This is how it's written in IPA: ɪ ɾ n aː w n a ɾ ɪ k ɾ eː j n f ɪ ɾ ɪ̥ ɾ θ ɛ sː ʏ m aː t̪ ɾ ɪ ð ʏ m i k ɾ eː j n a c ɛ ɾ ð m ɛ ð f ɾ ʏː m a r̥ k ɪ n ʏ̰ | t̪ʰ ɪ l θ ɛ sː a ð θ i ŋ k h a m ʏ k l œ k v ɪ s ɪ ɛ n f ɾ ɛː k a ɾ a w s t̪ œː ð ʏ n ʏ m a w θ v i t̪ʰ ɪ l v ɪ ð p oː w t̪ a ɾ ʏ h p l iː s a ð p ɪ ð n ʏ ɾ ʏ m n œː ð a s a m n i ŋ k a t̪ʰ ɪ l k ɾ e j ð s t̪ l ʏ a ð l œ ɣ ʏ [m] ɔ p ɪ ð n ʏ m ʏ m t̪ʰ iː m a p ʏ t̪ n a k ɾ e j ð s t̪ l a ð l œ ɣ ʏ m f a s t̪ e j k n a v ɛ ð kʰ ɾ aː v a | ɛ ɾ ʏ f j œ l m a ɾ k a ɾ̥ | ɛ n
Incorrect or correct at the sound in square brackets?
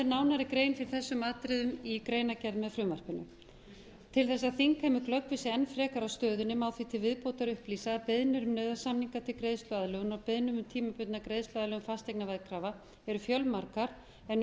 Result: incorrect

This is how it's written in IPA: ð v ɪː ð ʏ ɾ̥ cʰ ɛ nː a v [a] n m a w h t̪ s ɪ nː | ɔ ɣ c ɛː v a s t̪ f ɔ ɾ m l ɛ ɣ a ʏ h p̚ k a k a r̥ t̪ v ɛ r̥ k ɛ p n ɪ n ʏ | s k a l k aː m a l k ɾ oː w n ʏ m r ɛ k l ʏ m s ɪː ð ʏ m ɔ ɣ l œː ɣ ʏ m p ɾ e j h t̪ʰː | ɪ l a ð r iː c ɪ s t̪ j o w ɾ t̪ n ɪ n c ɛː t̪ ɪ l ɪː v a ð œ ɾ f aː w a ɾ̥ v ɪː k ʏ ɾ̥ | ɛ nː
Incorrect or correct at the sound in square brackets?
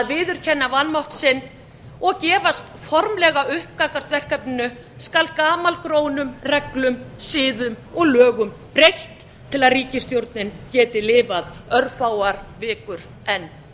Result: correct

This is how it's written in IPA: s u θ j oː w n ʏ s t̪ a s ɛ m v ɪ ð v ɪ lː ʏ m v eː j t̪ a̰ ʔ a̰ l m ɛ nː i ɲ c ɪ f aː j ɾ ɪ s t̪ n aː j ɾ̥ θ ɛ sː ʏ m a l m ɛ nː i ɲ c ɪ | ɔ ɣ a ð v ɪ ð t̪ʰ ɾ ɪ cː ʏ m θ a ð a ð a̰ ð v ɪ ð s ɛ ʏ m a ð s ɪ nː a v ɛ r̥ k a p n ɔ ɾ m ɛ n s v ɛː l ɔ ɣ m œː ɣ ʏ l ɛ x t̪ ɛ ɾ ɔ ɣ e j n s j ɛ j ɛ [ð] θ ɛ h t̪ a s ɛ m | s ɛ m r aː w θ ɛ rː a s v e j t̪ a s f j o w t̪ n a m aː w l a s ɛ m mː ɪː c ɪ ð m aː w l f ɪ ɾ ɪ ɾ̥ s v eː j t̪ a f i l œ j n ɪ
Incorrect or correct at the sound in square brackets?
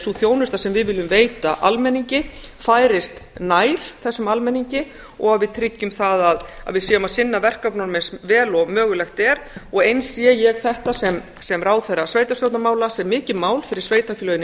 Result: incorrect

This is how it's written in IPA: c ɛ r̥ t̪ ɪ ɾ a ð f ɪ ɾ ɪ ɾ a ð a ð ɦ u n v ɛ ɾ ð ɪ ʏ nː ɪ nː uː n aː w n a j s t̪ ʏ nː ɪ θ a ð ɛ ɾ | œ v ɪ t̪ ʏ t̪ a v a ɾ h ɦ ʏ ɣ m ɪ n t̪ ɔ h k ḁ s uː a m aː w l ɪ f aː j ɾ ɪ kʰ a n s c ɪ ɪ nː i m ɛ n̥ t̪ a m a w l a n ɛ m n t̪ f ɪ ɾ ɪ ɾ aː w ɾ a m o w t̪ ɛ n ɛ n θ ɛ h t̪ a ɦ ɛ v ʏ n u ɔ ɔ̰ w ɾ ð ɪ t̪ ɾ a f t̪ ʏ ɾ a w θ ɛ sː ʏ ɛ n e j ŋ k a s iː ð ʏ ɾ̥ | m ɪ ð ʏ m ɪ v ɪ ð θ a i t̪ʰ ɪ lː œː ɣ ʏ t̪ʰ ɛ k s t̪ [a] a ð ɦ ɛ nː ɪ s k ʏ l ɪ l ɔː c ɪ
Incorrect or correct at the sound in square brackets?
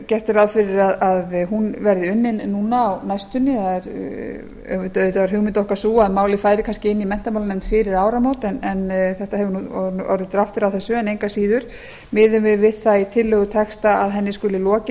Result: correct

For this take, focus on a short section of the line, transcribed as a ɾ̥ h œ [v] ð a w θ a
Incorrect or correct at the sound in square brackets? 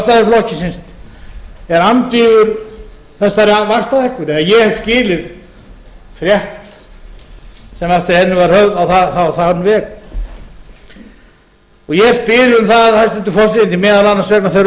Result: incorrect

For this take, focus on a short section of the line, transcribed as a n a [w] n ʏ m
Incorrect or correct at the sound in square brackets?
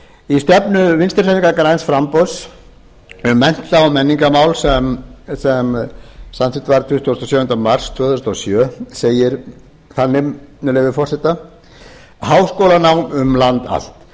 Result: correct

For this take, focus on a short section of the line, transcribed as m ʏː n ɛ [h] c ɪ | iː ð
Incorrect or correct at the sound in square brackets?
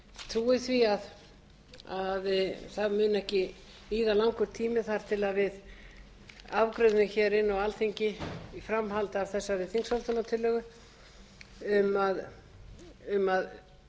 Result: correct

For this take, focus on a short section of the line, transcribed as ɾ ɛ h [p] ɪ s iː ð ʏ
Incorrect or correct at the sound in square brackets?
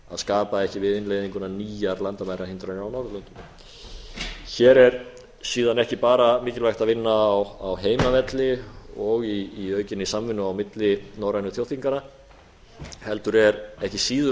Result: incorrect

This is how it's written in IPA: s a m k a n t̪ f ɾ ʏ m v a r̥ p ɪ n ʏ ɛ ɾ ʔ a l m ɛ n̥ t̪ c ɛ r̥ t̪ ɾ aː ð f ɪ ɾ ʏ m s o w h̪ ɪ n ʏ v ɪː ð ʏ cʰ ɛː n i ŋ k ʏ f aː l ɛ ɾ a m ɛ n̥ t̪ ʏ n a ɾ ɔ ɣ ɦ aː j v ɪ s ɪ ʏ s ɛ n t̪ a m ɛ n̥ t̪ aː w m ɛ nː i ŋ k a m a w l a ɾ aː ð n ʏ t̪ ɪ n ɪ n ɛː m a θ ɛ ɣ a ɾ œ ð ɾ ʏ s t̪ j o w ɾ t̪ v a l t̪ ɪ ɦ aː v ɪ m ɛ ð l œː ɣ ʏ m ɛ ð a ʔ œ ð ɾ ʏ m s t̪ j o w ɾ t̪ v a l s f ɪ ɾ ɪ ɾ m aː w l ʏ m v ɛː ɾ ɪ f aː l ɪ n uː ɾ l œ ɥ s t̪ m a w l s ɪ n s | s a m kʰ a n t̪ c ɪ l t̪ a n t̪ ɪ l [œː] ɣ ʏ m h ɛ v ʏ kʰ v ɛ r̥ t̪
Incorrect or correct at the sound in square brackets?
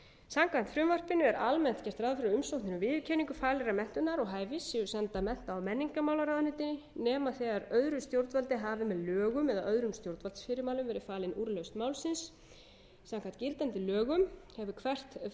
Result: correct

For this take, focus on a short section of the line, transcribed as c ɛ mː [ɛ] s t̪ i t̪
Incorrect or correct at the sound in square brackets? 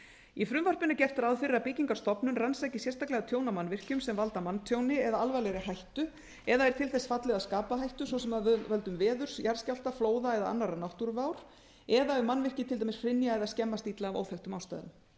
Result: incorrect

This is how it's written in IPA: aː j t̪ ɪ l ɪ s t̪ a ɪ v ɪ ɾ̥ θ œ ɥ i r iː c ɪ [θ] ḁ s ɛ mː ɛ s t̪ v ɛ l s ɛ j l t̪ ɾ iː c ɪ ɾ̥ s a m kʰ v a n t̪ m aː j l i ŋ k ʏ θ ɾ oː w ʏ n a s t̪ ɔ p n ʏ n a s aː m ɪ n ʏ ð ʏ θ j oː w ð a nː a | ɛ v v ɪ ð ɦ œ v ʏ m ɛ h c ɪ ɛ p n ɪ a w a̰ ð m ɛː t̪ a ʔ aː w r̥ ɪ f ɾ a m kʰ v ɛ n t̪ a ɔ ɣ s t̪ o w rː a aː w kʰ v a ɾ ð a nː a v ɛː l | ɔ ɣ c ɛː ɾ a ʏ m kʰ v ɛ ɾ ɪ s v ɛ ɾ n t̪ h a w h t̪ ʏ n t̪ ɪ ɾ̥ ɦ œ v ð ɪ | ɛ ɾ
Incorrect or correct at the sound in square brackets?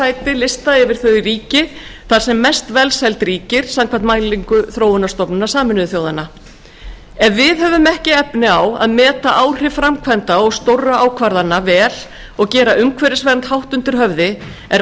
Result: correct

